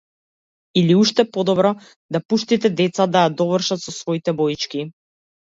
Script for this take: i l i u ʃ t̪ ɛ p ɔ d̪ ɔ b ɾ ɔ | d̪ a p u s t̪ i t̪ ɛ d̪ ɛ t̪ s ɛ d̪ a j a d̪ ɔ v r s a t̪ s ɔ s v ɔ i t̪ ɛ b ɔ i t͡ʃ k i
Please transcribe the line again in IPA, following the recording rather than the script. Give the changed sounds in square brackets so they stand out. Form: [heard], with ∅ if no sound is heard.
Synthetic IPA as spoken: i l i u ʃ t̪ ɛ p ɔ d̪ ɔ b ɾ ɔ | d̪ a p u [ʃ] t̪ i t̪ ɛ d̪ ɛ t̪ s [a] d̪ a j a d̪ ɔ v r [ʃ] a t̪ s ɔ s v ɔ i t̪ ɛ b ɔ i t͡ʃ k i